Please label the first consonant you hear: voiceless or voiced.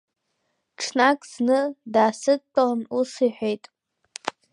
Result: voiceless